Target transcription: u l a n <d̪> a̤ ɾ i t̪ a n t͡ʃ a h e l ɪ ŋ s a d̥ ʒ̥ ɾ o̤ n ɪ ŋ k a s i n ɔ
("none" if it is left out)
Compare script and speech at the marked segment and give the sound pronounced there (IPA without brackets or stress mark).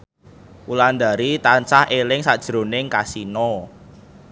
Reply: d̪